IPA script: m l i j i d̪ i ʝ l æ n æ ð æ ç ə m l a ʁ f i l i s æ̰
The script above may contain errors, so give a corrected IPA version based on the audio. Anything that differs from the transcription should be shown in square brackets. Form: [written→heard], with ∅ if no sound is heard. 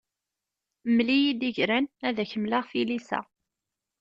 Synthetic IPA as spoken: m l i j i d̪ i ʝ [l→ɾ] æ n æ ð æ ç ə m l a ʁ f i l i s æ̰